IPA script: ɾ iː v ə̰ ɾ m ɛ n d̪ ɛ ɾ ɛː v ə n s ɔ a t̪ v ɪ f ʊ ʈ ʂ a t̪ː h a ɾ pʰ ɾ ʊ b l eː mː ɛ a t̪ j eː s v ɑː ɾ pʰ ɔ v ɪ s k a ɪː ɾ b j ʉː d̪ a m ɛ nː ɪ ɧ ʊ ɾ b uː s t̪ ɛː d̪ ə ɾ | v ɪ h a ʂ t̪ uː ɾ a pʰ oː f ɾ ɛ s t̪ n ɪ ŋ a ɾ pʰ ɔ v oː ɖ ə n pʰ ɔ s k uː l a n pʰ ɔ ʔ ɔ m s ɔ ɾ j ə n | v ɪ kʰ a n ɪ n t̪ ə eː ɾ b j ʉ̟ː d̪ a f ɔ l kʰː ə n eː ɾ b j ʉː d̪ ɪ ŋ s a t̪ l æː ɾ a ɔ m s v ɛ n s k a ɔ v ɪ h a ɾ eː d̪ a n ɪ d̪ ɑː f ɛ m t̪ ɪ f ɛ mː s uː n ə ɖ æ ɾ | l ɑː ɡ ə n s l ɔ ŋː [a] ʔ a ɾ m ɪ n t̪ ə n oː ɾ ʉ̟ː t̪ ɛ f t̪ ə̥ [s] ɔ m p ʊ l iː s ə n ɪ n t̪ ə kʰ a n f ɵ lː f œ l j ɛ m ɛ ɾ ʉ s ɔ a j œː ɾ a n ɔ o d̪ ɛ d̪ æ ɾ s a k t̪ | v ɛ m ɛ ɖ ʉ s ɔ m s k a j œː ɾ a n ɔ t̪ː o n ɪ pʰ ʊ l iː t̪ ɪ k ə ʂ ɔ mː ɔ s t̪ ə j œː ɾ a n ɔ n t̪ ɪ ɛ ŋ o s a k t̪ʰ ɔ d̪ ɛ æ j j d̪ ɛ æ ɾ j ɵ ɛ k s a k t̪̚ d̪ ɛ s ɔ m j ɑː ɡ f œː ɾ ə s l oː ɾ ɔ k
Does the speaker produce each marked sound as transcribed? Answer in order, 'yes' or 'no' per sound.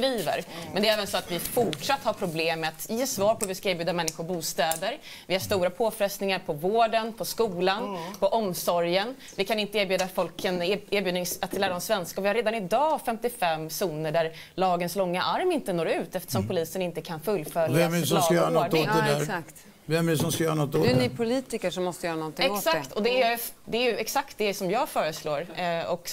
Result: yes, no

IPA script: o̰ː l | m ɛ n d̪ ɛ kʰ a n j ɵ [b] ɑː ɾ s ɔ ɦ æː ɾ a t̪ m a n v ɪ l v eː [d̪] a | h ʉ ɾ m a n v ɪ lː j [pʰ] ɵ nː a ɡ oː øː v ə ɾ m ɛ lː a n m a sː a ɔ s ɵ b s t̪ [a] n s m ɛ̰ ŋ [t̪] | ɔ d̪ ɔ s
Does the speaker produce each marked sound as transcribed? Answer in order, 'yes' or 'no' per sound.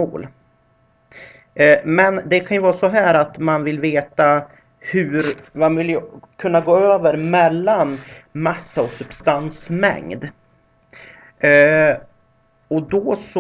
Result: no, no, no, yes, no

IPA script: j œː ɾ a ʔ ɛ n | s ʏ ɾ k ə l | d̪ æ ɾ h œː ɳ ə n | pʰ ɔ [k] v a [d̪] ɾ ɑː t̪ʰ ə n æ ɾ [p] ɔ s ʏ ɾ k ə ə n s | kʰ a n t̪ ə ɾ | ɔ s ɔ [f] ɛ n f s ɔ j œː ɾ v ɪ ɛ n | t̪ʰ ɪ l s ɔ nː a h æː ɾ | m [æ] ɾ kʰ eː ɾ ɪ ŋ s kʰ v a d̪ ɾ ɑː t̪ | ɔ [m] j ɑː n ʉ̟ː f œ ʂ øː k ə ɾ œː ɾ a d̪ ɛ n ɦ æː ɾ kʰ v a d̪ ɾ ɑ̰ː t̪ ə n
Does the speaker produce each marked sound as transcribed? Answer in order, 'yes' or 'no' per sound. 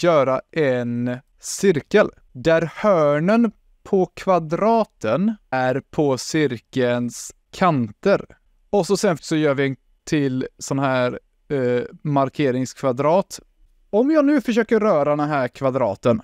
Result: no, yes, no, no, no, yes

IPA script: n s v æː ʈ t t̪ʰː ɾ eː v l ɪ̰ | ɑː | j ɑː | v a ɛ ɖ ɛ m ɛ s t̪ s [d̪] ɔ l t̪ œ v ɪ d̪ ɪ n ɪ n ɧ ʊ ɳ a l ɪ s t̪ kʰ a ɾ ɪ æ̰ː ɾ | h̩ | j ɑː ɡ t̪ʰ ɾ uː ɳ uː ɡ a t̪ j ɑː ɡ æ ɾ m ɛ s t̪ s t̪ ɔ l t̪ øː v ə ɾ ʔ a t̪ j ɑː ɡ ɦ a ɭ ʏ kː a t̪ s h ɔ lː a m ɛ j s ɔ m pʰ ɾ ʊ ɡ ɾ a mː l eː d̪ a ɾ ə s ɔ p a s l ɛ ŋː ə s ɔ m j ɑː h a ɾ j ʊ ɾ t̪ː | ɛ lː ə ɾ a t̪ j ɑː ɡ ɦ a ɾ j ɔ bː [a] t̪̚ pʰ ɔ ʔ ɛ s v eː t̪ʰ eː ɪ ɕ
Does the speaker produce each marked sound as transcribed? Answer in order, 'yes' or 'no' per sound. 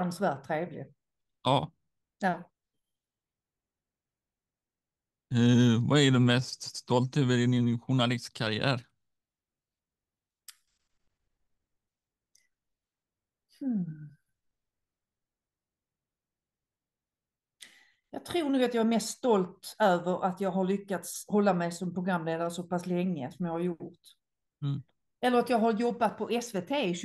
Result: no, yes

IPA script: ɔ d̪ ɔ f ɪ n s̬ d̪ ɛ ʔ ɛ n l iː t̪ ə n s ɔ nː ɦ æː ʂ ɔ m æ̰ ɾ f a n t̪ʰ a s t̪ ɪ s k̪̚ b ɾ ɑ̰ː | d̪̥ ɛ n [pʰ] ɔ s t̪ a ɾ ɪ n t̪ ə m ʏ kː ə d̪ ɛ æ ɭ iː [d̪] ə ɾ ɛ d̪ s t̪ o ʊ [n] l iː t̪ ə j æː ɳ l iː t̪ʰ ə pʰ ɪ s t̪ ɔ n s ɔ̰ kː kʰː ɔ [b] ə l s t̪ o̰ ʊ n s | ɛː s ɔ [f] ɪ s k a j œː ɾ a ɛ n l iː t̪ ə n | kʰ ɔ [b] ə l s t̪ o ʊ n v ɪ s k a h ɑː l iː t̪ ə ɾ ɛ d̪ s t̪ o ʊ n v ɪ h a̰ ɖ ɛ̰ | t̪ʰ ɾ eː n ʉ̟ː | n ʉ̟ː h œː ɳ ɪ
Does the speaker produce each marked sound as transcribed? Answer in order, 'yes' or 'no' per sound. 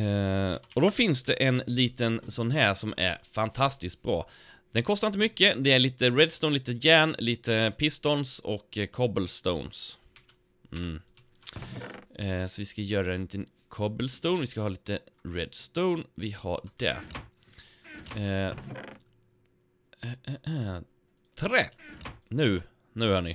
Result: no, no, yes, yes, no, yes

